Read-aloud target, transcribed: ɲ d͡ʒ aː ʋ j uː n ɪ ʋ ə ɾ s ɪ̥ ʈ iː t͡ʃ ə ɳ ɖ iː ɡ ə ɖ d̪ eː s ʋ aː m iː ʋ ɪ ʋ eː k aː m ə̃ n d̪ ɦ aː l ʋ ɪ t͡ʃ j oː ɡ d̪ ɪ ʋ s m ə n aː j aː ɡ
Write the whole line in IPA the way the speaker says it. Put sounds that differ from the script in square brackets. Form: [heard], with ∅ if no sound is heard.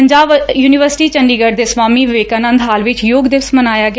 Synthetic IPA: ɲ d͡ʒ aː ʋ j uː n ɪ ʋ ə ɾ s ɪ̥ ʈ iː t͡ʃ ə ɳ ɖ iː ɡ ə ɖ d̪ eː s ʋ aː m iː ʋ ɪ ʋ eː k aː [n] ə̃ n d̪ ɦ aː l ʋ ɪ t͡ʃ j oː ɡ d̪ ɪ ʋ s m ə n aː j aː ɡ